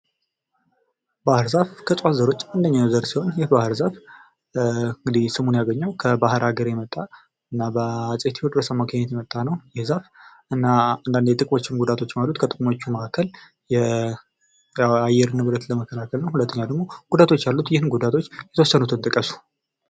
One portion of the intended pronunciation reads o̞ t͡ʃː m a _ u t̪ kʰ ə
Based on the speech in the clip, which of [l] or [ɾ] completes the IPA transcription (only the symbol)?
l